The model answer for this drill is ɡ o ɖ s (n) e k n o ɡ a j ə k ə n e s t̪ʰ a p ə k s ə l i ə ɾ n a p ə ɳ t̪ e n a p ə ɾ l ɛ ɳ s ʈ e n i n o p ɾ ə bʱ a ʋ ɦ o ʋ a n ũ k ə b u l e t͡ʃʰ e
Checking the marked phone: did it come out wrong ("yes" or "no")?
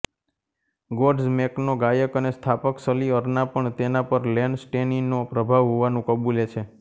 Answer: yes